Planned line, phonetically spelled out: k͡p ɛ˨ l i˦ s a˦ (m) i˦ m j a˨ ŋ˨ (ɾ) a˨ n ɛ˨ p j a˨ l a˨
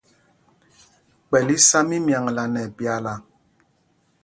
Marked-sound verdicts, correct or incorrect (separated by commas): correct, incorrect